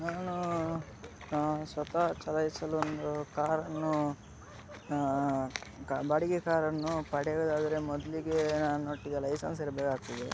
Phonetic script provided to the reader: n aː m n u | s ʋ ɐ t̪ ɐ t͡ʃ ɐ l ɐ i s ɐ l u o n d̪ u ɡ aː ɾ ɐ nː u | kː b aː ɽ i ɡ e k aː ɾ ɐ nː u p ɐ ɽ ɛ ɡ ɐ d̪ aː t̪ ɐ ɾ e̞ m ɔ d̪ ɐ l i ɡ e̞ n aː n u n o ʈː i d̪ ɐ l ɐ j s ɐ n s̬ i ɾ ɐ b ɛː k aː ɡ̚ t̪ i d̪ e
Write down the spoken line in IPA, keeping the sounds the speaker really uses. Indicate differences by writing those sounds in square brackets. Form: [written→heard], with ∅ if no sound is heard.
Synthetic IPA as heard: n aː [m→∅] n u | s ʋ ɐ t̪ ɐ t͡ʃ ɐ l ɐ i s ɐ l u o n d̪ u [ɡ→k] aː ɾ ɐ nː u | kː b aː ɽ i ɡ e k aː ɾ ɐ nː u p ɐ ɽ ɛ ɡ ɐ d̪ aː [t̪→d̪] ɐ ɾ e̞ m ɔ d̪ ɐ l i ɡ e̞ n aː n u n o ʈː i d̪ ɐ l ɐ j s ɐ n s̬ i ɾ ɐ b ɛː k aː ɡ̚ t̪ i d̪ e